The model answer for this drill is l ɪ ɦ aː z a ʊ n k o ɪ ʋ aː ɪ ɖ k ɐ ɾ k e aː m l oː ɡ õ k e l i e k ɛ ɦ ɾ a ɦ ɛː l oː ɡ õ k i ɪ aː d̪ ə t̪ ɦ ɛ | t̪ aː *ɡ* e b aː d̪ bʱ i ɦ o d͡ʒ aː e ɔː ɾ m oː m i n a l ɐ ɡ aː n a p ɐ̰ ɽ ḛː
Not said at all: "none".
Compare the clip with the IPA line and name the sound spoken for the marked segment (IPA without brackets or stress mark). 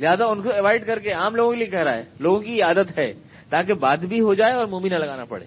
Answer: k